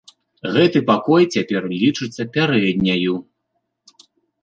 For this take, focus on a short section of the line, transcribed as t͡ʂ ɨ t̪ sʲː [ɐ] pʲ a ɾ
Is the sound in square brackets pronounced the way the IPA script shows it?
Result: yes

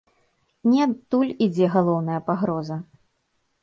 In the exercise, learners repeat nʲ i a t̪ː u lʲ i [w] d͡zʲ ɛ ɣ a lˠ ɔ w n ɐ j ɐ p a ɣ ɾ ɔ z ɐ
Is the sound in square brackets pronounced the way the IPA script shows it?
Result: no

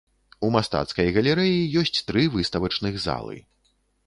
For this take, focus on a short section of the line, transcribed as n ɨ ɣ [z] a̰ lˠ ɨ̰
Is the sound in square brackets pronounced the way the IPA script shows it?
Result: yes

